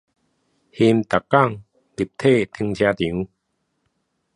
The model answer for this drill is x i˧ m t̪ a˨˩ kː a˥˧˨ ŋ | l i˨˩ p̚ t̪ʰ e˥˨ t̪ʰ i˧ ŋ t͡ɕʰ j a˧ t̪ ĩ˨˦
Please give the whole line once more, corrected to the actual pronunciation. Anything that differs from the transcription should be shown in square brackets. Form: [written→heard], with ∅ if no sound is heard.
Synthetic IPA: [x→h] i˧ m t̪ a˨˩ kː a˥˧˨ ŋ | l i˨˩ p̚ t̪ʰ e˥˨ t̪ʰ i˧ ŋ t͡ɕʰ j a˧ t̪ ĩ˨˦